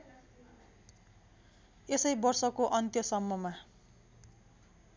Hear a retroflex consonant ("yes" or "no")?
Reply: no